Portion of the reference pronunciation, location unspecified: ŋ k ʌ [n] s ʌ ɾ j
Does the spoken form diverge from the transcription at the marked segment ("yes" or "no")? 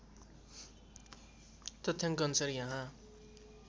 no